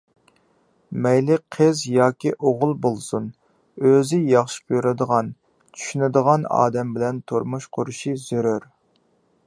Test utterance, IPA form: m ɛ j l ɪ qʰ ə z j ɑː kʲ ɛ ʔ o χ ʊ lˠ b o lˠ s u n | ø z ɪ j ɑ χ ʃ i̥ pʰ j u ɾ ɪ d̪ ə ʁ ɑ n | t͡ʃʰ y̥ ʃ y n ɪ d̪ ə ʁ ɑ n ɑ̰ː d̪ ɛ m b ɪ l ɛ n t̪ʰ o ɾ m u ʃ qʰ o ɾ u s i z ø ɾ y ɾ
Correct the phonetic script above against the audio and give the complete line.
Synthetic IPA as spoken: m ɛ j l ɪ qʰ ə z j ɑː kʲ i ʔ o ʁ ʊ lˠ b o lˠ s u n | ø z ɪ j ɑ χ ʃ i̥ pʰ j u ɾ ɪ d̪ ə ʁ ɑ n | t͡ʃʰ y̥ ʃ y n ɪ d̪ ə ʁ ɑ n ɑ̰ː d̪ ɛ m b ɪ l ɛ n t̪ʰ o ɾ m u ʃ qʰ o ɾ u ʃ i z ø ɾ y ɾ